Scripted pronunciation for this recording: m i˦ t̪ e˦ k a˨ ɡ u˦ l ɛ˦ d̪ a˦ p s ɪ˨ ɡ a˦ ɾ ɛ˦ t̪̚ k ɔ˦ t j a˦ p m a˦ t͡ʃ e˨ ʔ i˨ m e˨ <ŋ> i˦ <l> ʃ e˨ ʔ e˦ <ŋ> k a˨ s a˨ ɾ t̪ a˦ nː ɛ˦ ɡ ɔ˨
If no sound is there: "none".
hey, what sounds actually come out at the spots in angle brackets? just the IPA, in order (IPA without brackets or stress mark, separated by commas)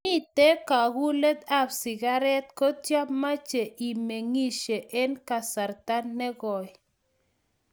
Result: ŋ, none, n